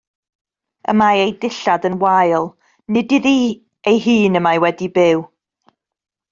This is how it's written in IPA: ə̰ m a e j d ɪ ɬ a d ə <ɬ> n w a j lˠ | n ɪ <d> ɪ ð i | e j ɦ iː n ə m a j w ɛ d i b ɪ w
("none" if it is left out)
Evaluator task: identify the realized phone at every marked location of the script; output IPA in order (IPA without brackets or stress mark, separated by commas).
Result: none, d